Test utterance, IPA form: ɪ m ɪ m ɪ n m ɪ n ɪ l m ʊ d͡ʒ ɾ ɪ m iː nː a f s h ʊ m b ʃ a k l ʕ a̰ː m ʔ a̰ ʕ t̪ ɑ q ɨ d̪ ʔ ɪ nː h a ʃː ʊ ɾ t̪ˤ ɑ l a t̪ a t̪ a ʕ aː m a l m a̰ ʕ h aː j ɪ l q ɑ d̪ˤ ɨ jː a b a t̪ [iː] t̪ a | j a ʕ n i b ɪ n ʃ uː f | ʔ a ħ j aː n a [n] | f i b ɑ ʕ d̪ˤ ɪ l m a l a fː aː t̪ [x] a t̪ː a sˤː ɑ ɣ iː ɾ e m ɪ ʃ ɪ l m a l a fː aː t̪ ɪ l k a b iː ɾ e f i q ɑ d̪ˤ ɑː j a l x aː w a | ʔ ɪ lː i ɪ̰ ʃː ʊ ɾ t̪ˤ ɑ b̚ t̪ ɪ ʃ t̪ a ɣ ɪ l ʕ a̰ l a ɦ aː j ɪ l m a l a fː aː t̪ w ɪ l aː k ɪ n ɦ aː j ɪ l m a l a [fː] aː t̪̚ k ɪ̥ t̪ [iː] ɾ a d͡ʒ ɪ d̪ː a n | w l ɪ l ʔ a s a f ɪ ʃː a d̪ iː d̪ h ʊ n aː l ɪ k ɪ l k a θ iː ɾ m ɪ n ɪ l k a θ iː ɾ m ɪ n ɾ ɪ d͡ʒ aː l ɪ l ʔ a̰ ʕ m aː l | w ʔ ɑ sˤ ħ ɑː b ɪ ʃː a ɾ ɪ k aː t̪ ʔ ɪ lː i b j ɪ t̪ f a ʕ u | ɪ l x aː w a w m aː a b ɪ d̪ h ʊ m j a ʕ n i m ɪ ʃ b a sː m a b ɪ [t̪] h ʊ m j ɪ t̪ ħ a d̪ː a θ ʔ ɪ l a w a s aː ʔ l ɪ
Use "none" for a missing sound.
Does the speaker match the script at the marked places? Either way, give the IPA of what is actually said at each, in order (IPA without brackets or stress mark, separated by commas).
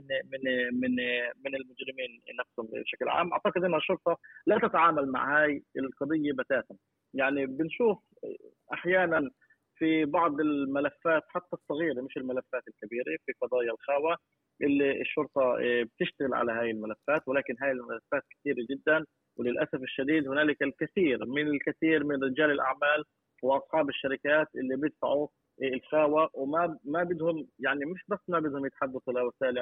aː, n, ħ, fː, iː, d̪